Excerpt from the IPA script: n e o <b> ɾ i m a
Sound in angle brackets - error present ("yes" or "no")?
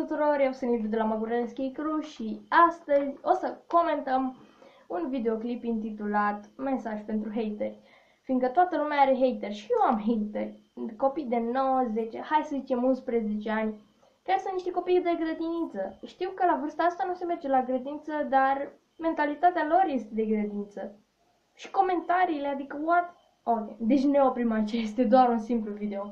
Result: yes